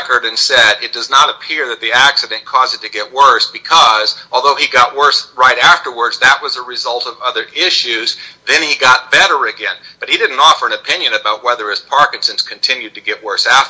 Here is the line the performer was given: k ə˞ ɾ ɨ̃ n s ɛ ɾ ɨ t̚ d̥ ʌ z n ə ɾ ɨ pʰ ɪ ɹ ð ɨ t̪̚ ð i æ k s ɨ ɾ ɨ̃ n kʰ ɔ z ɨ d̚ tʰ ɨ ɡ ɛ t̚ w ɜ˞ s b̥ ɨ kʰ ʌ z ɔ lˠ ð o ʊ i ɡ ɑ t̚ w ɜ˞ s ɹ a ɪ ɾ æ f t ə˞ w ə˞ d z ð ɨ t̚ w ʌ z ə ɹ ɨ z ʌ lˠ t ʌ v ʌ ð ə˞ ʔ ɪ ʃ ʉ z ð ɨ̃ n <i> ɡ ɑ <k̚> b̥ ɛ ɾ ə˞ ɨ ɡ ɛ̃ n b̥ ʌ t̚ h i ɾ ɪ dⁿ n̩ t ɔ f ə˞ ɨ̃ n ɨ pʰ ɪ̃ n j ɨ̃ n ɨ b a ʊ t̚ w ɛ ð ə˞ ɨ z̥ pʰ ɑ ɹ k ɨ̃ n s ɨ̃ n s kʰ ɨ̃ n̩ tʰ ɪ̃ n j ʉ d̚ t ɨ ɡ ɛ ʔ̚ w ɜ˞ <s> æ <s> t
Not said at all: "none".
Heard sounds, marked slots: i, t̚, s, f

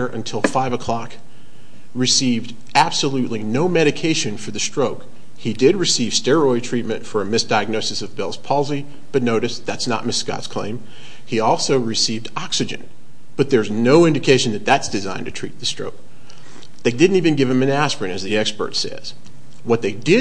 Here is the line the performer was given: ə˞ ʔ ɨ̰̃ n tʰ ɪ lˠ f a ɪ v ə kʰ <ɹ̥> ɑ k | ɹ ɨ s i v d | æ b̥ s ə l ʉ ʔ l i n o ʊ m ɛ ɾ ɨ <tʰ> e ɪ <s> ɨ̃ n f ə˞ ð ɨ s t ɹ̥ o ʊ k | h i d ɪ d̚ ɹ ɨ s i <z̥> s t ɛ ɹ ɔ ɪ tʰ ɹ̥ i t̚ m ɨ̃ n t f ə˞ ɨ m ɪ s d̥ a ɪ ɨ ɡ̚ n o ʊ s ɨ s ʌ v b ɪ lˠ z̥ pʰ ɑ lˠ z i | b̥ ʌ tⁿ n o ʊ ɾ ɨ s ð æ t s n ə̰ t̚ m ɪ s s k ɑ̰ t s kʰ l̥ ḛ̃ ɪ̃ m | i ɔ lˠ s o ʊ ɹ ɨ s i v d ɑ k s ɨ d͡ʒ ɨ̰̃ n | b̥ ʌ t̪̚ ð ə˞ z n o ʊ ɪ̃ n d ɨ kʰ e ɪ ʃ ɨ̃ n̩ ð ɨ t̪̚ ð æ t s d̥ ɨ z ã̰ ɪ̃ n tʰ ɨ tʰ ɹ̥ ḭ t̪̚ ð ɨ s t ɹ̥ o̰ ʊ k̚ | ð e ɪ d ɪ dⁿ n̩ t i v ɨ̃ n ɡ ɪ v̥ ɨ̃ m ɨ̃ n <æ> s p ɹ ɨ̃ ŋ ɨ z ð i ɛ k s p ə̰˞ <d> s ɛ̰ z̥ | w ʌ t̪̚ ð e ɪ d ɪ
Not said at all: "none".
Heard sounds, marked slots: l̥, kʰ, ʃ, v̥, æ, t

